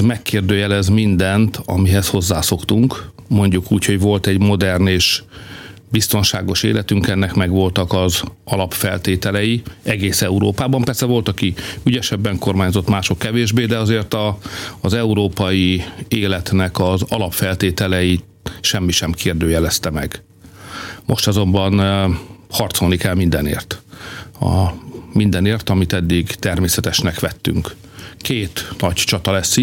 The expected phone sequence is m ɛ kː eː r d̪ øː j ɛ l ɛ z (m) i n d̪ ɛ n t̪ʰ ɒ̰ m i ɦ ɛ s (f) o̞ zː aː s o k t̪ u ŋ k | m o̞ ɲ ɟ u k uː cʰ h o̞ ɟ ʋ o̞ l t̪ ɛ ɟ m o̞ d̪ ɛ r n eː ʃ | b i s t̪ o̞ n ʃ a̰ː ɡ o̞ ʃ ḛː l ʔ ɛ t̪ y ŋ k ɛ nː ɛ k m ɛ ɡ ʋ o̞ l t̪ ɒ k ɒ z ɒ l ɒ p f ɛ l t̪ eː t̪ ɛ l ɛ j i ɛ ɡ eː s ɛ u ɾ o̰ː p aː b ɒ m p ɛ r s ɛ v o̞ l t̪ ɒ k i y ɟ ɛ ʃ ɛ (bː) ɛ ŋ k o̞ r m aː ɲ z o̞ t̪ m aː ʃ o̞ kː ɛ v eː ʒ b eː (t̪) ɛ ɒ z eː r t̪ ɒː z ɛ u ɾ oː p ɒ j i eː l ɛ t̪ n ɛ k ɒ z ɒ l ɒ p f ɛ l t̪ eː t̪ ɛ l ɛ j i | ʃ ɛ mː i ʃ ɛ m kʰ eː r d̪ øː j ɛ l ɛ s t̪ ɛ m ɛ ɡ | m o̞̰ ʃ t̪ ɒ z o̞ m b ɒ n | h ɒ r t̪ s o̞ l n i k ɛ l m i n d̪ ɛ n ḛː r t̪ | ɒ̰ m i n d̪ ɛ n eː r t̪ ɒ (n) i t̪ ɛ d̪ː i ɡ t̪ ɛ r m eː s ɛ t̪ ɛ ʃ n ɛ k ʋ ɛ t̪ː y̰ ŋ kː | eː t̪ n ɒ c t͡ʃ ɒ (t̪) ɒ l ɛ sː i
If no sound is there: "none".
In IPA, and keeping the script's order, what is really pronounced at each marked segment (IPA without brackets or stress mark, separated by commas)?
m, h, bː, d̪, m, t̪